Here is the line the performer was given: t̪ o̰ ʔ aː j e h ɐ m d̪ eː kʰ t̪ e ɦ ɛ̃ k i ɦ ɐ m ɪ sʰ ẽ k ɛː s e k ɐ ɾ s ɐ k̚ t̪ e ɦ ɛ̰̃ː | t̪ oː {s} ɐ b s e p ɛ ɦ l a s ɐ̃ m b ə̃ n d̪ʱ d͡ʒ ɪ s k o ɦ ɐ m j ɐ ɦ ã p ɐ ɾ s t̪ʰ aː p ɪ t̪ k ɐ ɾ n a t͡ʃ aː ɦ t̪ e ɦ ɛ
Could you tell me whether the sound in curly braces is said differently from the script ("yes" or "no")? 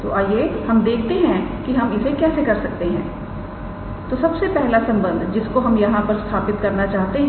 no